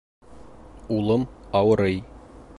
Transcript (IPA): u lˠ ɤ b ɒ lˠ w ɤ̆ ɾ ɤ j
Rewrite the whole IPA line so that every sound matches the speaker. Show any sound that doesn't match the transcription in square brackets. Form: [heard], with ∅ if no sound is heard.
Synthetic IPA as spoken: u lˠ ɤ [m] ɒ [∅] w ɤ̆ ɾ ɤ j